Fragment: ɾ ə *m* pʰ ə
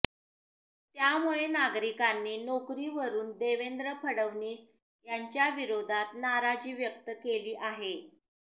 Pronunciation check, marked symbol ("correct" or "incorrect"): incorrect